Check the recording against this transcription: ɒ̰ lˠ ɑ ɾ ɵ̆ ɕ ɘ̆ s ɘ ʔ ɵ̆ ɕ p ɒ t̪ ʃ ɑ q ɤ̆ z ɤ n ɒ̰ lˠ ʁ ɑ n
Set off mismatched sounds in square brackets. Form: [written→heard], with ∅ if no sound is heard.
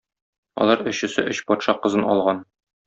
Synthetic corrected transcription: ɒ̰ lˠ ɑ ɾ ɵ̆ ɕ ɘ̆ s ɘ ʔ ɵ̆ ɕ p ɒ t̪ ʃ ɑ q ɤ̆ z ɤ n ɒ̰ lˠ ʁ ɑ n